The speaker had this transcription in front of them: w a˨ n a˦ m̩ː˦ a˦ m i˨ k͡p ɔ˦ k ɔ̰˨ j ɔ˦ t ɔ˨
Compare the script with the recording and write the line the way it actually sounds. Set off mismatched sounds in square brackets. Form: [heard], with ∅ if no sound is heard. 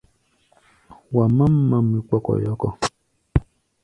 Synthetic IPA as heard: w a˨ [m] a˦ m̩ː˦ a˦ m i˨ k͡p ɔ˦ k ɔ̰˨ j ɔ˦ [k] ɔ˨